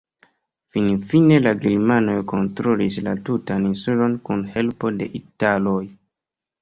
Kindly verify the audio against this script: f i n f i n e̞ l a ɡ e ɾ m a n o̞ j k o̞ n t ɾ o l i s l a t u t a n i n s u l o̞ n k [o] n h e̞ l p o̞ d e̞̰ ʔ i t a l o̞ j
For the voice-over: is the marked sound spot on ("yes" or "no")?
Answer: no